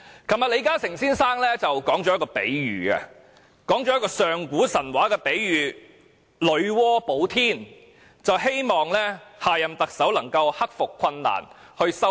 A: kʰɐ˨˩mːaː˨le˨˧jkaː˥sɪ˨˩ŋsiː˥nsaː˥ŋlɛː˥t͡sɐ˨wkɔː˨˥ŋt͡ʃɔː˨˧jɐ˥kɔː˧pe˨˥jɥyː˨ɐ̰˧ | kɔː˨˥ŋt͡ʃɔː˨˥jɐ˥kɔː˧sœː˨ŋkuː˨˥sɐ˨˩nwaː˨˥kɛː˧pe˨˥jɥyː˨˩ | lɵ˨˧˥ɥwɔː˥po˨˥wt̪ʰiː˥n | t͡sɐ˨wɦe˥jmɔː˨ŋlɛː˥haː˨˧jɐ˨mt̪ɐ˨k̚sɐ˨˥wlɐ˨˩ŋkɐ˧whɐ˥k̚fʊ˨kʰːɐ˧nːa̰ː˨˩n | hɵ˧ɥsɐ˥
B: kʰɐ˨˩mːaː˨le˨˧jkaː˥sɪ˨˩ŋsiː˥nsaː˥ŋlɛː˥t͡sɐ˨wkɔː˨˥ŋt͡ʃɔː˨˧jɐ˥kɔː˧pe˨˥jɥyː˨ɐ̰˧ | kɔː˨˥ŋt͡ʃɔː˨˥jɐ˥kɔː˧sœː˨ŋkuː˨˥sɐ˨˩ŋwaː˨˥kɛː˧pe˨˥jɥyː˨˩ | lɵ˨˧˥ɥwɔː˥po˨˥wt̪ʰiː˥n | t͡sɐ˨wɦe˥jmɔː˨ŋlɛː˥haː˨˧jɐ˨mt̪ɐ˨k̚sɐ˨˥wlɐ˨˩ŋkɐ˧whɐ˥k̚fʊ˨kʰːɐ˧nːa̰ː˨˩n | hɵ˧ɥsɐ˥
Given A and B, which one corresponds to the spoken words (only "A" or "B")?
A